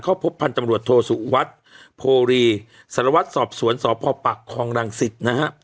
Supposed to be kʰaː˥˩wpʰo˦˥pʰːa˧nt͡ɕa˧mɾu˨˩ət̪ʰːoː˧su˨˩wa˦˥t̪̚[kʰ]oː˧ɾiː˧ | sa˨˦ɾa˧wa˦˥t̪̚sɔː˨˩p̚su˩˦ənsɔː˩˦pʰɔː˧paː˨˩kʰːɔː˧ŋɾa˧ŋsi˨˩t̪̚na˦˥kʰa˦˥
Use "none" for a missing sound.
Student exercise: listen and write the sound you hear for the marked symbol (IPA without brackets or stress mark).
pʰ